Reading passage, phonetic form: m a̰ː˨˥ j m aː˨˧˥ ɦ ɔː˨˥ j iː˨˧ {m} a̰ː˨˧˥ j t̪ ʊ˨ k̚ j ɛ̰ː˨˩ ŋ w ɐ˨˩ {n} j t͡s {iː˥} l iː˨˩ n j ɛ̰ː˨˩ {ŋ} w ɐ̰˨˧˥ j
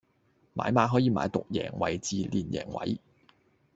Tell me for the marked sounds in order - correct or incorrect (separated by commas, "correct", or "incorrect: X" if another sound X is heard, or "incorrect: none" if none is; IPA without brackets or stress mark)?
correct, incorrect: none, incorrect: iː˨˧, correct